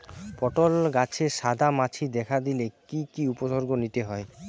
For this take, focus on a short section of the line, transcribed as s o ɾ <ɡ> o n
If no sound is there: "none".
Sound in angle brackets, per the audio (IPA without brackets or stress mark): ɡ